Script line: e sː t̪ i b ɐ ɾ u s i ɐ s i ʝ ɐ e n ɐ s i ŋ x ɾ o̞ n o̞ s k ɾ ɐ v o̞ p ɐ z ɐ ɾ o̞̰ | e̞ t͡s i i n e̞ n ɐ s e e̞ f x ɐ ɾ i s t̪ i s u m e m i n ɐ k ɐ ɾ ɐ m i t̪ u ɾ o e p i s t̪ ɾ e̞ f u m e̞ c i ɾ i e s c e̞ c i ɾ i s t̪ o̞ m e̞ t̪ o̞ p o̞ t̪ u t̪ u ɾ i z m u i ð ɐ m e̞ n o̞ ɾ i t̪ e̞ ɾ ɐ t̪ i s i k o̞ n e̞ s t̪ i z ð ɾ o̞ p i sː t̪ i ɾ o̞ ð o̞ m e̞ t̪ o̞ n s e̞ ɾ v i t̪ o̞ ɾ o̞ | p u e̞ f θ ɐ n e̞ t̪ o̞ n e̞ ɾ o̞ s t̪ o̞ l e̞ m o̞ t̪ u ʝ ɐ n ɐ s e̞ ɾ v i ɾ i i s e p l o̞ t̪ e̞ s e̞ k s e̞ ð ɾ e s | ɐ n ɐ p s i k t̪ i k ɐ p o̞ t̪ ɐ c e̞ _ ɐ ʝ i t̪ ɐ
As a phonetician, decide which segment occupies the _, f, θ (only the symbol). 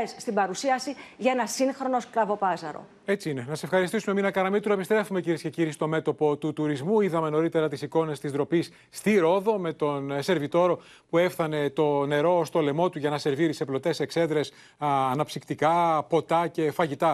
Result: f